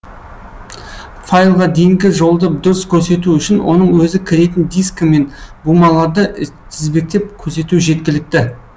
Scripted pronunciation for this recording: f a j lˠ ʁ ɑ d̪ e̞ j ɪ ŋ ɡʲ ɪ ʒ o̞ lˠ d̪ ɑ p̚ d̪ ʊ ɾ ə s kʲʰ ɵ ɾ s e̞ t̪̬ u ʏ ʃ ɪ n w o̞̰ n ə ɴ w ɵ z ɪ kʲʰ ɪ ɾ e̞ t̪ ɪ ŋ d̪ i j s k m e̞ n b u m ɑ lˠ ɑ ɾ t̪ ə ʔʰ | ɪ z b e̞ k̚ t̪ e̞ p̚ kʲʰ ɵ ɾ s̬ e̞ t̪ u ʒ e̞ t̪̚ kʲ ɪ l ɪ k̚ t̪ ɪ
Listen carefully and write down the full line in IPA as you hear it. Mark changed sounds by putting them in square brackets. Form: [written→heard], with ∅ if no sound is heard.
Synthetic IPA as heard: f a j lˠ ʁ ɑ d̪ e̞ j ɪ ŋ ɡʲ ɪ ʒ o̞ lˠ d̪ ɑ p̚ d̪ ʊ ɾ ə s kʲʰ ɵ ɾ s e̞ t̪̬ u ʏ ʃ ɪ n w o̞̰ n ə ɴ w ɵ z ɪ kʲʰ ɪ ɾ e̞ t̪ ɪ [ŋ→n] d̪ i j s k m e̞ n b u m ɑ lˠ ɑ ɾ [t̪→d̪] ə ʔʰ | ɪ z b e̞ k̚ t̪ e̞ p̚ kʲʰ ɵ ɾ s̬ e̞ t̪ u ʒ e̞ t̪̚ kʲ ɪ l ɪ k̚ t̪ ɪ

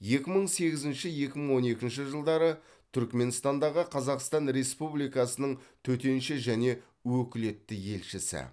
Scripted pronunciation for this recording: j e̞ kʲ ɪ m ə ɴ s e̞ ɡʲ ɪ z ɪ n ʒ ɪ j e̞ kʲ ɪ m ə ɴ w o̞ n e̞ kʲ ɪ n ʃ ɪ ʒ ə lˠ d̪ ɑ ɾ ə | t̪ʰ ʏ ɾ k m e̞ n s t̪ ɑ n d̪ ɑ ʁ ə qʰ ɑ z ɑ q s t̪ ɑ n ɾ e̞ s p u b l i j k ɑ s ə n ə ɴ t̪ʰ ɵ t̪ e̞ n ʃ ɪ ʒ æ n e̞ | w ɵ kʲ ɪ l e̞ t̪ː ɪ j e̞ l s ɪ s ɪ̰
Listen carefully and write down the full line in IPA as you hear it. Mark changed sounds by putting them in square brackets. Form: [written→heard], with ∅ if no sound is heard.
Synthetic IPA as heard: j e̞ kʲ ɪ m ə ɴ s e̞ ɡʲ ɪ z ɪ n [ʒ→ʃ] ɪ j e̞ kʲ ɪ m ə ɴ w o̞ n e̞ kʲ ɪ n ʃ ɪ ʒ ə lˠ d̪ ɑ ɾ ə | t̪ʰ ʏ ɾ k m e̞ n s t̪ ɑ n d̪ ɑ ʁ ə qʰ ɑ z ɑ q s t̪ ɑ n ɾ e̞ s p u b l i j k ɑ s ə n ə ɴ t̪ʰ ɵ t̪ e̞ n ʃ ɪ ʒ æ n e̞ | w ɵ kʲ ɪ l e̞ t̪ː ɪ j e̞ l [s→ʃ] ɪ s ɪ̰

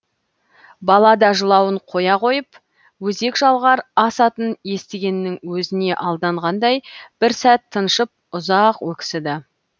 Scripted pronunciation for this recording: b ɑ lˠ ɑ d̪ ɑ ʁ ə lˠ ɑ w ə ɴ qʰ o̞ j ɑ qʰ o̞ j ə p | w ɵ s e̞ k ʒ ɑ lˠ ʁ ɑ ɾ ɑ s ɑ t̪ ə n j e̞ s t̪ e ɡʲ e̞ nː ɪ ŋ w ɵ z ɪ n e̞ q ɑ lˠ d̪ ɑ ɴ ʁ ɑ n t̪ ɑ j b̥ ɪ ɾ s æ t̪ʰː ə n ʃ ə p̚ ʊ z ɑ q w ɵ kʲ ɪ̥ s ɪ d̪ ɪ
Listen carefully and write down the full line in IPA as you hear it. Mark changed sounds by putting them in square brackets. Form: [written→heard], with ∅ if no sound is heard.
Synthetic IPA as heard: b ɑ lˠ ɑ d̪ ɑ [ʁ→ʒ] ə lˠ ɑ w ə ɴ qʰ o̞ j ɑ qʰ o̞ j ə p | w ɵ [s→z] e̞ k ʒ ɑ lˠ ʁ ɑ ɾ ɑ s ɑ t̪ ə n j e̞ s t̪ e ɡʲ e̞ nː ɪ ŋ w ɵ z ɪ n e̞ [q→ʔ] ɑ lˠ d̪ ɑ ɴ ʁ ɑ n [t̪→d̪] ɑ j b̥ ɪ ɾ s æ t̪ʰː ə n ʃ ə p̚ ʊ z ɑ q w ɵ kʲ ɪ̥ s ɪ d̪ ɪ

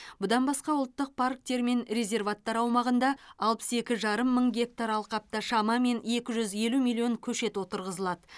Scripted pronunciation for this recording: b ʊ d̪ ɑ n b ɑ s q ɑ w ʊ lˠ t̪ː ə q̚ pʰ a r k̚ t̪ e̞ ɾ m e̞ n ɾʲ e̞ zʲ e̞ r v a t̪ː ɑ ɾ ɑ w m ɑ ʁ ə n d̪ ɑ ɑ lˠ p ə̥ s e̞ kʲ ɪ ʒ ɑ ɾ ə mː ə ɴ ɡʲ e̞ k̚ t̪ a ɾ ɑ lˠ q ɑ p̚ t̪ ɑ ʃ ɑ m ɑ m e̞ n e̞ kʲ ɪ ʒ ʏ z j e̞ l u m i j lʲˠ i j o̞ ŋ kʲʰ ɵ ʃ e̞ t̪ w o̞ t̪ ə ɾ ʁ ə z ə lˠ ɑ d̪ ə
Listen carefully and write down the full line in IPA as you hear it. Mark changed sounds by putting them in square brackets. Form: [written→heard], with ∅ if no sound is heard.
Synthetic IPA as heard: b ʊ d̪ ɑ n b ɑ s q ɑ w ʊ lˠ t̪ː ə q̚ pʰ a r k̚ t̪ e̞ ɾ m e̞ n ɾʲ e̞ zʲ e̞ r v a t̪ː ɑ ɾ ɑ w m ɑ ʁ ə n d̪ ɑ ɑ lˠ p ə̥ s e̞ kʲ ɪ ʒ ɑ ɾ ə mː ə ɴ ɡʲ e̞ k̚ t̪ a ɾ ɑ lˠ q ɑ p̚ t̪ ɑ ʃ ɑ m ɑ m e̞ n e̞ kʲ ɪ ʒ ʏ z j e̞ l u m i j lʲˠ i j o̞ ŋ kʲʰ ɵ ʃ e̞ t̪ w o̞ t̪ ə ɾ ʁ ə z ə lˠ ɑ d̪ ə

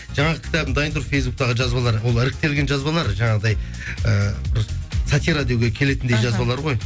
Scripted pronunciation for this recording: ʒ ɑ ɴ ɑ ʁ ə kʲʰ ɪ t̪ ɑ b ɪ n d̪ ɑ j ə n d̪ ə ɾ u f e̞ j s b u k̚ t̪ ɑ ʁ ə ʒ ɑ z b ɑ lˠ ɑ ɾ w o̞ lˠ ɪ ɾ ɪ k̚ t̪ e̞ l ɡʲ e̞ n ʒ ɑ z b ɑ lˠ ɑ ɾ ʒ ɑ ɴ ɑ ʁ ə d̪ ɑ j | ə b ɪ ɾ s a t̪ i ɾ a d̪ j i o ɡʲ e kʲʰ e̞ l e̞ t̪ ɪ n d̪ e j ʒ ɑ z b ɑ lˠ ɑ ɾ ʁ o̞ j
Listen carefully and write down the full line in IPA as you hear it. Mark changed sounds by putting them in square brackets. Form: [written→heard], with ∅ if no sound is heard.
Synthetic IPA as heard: ʒ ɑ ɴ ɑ ʁ ə kʲʰ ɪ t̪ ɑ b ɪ n d̪ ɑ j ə n d̪ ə ɾ u f e̞ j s b u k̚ t̪ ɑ ʁ ə ʒ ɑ z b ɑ lˠ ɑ ɾ w o̞ lˠ ɪ ɾ ɪ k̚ t̪ e̞ l ɡʲ e̞ n ʒ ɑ z b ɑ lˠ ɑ ɾ ʒ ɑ ɴ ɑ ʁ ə d̪ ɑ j | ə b ɪ ɾ s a t̪ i ɾ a d̪ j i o ɡʲ e kʲʰ e̞ l e̞ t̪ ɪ n d̪ e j ʒ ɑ z b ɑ lˠ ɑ ɾ ʁ o̞ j

